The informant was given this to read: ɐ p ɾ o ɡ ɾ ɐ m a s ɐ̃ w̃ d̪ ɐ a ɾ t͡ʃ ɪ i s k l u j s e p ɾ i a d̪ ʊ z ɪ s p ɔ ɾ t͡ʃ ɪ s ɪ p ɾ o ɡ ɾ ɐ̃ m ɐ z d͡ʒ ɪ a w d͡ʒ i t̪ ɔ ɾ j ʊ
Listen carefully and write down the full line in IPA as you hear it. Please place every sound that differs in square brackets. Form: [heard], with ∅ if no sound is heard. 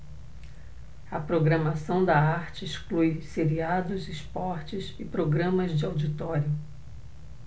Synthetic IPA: ɐ p ɾ o ɡ ɾ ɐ m a s ɐ̃ w̃ d̪ ɐ a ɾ t͡ʃ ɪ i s k l u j s e [∅] ɾ i a d̪ ʊ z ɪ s p ɔ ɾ t͡ʃ ɪ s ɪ p ɾ o ɡ ɾ ɐ̃ m ɐ z d͡ʒ ɪ a w d͡ʒ i t̪ ɔ ɾ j ʊ